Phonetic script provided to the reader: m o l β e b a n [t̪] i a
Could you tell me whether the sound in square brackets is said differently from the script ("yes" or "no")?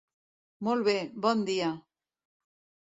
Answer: yes